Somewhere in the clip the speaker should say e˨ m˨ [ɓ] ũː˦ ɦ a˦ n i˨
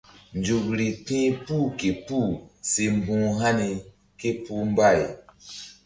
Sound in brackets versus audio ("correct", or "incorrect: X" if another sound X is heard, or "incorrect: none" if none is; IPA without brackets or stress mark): incorrect: b